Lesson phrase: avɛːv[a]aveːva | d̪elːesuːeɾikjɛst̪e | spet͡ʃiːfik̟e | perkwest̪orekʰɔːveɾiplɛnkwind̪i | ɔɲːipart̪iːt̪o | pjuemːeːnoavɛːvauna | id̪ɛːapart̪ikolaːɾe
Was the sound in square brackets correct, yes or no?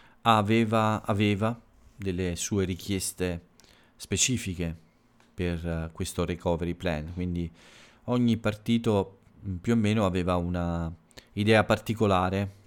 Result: yes